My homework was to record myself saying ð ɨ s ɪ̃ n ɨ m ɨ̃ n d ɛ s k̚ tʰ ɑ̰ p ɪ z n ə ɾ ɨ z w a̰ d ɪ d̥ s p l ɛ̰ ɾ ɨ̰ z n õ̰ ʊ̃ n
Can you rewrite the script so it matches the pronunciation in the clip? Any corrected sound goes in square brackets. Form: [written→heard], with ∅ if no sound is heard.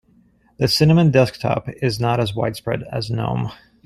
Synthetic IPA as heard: ð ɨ s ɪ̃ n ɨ m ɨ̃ n d ɛ s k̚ tʰ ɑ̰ p ɪ z n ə ɾ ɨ z w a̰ [d→∅] ɪ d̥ s p [l→ɹ] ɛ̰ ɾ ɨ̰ z n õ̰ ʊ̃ [n→m]